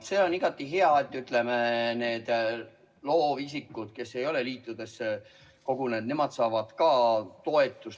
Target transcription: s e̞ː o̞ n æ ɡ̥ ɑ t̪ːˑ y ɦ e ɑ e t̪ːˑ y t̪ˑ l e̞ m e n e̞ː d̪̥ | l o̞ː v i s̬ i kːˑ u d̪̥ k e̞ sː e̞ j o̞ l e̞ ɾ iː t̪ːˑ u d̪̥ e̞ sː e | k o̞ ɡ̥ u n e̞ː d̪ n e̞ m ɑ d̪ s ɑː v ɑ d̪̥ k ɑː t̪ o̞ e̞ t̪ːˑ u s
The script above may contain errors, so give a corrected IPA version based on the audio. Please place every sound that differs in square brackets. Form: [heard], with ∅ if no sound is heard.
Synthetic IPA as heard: s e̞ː o̞ n [i] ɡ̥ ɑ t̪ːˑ [i] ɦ e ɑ e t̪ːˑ y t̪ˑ l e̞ m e n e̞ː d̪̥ | l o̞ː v i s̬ i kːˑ u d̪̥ k e̞ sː e̞ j o̞ l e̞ [l] iː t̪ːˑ u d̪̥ e̞ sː e | k o̞ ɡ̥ u n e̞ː d̪ n e̞ m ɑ d̪ s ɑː v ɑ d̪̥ k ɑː t̪ o̞ e̞ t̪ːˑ u s